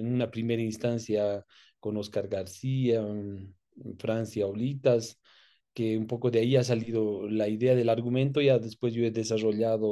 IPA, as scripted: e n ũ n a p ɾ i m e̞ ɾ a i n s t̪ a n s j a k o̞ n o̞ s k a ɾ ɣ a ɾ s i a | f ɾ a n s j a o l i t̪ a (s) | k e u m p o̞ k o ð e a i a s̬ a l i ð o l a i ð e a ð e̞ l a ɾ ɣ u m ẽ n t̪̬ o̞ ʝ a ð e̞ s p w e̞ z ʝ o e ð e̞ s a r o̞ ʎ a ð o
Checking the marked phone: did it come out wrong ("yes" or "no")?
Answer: no